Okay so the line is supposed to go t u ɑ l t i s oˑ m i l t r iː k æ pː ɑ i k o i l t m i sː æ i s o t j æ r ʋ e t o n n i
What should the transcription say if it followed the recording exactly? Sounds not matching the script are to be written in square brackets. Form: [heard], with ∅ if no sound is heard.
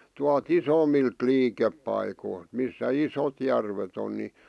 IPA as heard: t u ɑ l t i s oˑ m i l t [l] iː k [e] pː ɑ i k o i l t m i sː æ i s o t j æ r ʋ e t o n n i